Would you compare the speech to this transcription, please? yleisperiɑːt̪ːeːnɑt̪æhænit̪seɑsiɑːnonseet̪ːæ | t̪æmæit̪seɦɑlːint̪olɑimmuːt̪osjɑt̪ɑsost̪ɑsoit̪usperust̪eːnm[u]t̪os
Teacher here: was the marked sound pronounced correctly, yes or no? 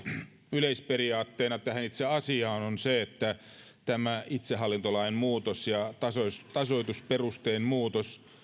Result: no